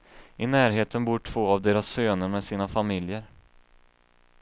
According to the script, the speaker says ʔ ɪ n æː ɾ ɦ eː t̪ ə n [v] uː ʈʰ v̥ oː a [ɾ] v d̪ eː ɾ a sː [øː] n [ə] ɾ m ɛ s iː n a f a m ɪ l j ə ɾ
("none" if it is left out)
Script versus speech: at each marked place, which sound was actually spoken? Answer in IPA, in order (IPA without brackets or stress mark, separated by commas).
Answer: b, none, øː, ə